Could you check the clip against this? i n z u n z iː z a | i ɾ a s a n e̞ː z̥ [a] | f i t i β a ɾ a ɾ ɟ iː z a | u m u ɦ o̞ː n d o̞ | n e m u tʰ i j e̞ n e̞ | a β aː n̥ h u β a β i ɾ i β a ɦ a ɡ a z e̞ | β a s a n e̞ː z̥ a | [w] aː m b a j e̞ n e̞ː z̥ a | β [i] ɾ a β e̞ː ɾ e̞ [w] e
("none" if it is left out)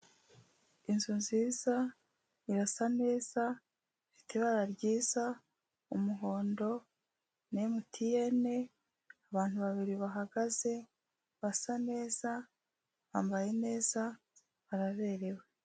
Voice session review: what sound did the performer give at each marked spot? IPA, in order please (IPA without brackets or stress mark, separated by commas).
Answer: a, β, a, w